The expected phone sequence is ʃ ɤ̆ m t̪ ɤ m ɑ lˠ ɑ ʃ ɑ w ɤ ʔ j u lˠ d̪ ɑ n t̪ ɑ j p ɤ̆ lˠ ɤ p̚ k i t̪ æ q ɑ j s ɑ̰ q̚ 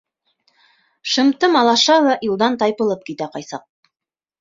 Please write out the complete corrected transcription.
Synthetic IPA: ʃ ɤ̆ m t̪ ɤ m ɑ lˠ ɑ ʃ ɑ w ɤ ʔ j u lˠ d̪ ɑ n t̪ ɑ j p ɤ̆ lˠ ɤ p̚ k i t̪ æ q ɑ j s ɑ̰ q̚